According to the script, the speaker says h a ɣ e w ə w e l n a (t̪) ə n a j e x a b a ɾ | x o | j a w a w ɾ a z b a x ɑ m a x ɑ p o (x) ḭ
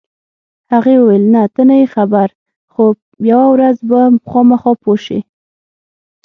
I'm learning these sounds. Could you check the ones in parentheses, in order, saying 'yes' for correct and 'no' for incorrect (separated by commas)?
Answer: yes, no